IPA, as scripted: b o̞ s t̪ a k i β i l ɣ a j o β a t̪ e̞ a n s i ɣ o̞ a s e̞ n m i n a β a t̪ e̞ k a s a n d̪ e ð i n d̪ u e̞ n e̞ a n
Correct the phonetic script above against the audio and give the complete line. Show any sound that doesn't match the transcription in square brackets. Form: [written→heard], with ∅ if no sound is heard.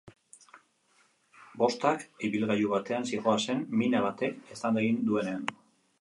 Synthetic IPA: b o̞ s t̪ a k i β i l ɣ a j [o→u] β a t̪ e̞ a n s i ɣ o̞ a s e̞ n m i n a β a t̪ e̞ k [a→e] s a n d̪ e [ð→ɣ] i n d̪ u e̞ n e̞ a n

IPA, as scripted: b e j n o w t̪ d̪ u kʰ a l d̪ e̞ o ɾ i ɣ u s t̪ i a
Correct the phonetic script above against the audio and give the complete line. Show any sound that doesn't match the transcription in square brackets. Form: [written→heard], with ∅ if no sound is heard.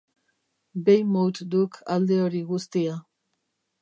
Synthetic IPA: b e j [n→m] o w t̪ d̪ u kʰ a l d̪ e̞ o ɾ i ɣ u s t̪ i a

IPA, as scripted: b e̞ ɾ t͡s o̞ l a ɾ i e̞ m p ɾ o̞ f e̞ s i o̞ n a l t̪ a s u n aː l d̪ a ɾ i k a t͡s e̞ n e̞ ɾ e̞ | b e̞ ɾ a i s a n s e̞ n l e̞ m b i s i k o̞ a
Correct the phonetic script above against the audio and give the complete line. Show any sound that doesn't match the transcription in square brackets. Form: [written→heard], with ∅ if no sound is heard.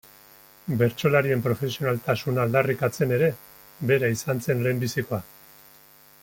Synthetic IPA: b e̞ ɾ t͡s o̞ l a ɾ i e̞ m p ɾ o̞ f e̞ s i o̞ n a l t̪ a s u n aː l d̪ a [ɾ→r] i k a t͡s e̞ n e̞ ɾ e̞ | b e̞ ɾ a i s a n [s→t͡s] e̞ n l e̞ m b i s i k o̞ a

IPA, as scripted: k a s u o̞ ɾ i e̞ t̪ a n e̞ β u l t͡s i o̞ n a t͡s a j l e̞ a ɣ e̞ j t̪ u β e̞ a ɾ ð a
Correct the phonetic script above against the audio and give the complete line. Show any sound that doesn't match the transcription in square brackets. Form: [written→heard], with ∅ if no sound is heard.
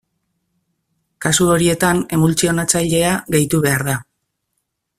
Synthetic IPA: k a s u o̞ ɾ i e̞ t̪ a n e̞ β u l t͡s i o̞ n a t͡s a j [l→ʎ] e̞ a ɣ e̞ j t̪ u β e̞ a ɾ ð a

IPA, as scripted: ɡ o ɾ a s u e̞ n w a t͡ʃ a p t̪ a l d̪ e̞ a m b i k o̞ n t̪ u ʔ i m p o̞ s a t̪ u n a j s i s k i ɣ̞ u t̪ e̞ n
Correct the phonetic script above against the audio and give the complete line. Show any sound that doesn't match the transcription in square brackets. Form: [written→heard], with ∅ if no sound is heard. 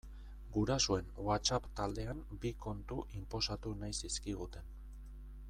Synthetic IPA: ɡ [o→u] ɾ a s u e̞ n w a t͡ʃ a p t̪ a l d̪ e̞ a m b i k o̞ n t̪ u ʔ i m p o̞ s a t̪ u n a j s i s k i ɣ̞ u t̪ e̞ n

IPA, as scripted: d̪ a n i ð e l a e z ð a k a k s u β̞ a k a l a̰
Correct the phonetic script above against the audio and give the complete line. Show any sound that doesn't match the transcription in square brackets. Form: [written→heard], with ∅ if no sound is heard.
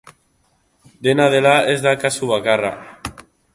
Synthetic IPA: d̪ [a→e] n [i→a] ð e l a e z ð a k a [k→∅] s u β̞ a k a [l→r] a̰

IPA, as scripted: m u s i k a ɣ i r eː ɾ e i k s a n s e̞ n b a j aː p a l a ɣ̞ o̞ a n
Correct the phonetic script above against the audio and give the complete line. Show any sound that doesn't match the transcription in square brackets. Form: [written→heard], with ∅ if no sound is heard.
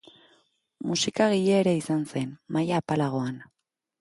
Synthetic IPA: m u s i k a ɣ i [r→ʎ] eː ɾ e i [k→∅] s a n s e̞ n [b→m] a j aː p a l a ɣ̞ o̞ a n

